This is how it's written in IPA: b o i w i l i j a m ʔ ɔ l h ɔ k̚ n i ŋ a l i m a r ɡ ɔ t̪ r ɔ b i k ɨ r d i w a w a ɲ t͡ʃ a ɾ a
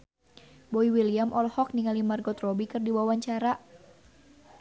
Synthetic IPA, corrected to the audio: b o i w i l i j a m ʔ ɔ l h ɔ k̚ n i ŋ a l i m a r ɡ ɔ t̪ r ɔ b i k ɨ r d i w a w a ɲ t͡ʃ a ɾ a